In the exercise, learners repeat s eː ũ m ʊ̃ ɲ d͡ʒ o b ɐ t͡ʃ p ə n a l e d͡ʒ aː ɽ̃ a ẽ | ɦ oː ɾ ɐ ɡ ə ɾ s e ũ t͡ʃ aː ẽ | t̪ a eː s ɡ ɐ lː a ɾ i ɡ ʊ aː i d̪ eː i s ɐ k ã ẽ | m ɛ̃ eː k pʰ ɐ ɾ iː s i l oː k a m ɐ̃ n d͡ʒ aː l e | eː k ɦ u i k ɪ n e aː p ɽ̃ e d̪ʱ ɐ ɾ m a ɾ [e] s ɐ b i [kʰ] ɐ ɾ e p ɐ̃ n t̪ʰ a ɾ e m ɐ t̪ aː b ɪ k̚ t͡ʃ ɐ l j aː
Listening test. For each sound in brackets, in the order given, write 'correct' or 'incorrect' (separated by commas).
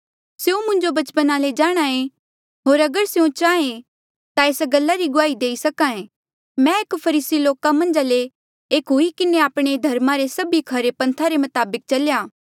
correct, correct